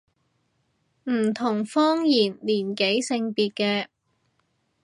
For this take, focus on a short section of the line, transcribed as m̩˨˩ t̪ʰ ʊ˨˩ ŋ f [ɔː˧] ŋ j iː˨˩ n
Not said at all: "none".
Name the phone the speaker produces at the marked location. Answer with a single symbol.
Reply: ɔː˥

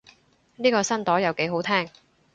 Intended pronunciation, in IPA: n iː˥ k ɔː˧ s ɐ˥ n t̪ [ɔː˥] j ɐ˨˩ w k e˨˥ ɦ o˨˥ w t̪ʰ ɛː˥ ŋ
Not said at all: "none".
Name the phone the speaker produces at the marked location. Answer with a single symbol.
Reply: ɔː˨˥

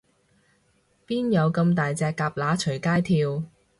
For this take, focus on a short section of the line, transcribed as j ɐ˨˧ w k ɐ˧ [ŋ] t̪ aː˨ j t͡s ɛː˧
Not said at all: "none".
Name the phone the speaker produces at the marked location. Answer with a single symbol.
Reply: m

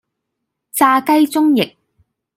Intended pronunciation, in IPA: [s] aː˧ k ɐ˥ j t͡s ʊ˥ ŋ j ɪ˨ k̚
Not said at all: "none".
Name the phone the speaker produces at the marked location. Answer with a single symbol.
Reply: t͡s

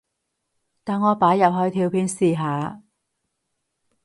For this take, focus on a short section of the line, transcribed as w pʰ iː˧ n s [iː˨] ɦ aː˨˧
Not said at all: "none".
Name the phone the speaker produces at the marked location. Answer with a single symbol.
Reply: iː˨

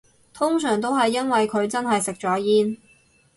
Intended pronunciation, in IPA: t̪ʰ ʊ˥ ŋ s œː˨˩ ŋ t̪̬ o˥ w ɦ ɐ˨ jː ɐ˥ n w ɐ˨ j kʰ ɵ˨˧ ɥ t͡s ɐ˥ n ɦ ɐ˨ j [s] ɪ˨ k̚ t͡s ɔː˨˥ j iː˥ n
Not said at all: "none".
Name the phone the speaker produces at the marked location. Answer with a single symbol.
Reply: s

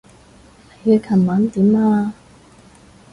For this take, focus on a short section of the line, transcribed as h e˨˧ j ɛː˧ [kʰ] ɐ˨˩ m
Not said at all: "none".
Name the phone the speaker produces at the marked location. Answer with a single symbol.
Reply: kʰ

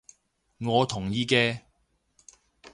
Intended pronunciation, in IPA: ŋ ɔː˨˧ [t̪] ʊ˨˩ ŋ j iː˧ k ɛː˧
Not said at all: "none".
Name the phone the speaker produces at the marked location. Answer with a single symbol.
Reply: t̪ʰ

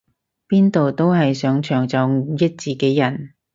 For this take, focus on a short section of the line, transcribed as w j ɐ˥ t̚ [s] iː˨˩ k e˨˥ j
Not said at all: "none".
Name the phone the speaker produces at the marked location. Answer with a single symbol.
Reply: t͡s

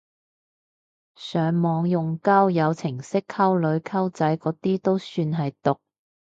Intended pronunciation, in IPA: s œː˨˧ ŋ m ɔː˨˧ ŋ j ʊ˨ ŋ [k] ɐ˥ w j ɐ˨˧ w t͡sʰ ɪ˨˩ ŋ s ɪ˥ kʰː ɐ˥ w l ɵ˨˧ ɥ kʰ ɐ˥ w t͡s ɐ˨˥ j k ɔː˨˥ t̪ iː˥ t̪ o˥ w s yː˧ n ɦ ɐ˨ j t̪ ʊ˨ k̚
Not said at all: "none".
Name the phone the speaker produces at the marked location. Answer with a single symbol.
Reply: k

